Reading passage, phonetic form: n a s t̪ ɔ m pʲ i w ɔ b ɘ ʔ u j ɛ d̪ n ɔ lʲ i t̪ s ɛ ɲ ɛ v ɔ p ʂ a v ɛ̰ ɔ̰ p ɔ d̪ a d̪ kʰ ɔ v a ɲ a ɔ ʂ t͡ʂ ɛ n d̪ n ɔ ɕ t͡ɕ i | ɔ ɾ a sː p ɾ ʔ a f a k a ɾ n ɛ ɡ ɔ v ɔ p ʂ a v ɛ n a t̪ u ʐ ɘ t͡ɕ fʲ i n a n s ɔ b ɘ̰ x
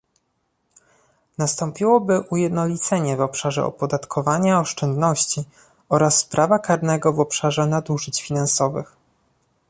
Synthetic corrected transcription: n a s t̪ ɔ m pʲ i w ɔ b ɘ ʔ u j ɛ d̪ n ɔ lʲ i t̪ s ɛ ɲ ɛ v ɔ p ʂ a ʐ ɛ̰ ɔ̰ p ɔ d̪ a t̪ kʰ ɔ v a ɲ a ɔ ʂ t͡ʂ ɛ n d̪ n ɔ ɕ t͡ɕ i | ɔ ɾ a sː p ɾ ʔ a v a k a ɾ n ɛ ɡ ɔ v ɔ p ʂ a ʐ ɛ n a d̪ u ʐ ɘ t͡ɕ fʲ i n a n s ɔ v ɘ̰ x